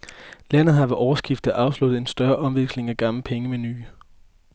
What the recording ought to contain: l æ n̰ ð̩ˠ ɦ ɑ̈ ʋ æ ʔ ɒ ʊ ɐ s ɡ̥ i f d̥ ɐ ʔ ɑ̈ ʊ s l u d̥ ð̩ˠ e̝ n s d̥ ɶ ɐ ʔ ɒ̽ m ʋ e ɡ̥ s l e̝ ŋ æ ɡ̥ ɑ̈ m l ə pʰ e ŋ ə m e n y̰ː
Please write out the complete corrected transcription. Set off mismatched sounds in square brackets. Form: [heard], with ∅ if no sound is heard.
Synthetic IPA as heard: l æ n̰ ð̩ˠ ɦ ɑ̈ ʋ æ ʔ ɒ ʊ ɐ s ɡ̥ i f d̥ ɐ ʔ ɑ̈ ʊ s l u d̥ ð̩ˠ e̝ n s d̥ ɶ ɐ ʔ ɒ̽ m ʋ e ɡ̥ s l e̝ ŋ æ ɡ̥ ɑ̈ m l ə pʰ e ŋ ə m e n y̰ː